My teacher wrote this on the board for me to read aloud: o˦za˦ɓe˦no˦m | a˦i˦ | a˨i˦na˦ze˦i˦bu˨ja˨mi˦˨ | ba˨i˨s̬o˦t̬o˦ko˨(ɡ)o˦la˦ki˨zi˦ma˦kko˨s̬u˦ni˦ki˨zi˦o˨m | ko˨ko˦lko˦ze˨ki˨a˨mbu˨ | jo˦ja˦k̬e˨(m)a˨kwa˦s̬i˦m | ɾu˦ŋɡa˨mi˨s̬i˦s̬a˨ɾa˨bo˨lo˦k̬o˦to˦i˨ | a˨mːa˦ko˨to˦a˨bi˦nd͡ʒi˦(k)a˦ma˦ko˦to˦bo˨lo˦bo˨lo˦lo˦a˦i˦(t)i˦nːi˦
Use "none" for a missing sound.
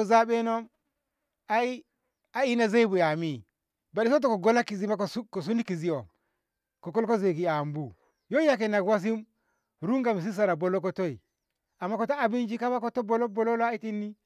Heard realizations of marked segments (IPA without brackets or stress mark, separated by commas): ɡ, n, k, t